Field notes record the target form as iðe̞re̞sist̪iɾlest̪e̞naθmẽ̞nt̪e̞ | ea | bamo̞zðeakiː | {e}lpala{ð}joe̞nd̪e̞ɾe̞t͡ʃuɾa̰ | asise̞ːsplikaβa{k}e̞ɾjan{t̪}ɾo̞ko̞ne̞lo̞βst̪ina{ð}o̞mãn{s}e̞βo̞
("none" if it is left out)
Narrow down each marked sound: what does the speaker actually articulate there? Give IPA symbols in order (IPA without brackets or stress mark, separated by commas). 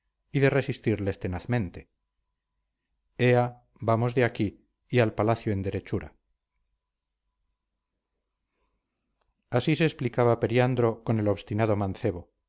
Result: a, θ, p, d̪, ð, θ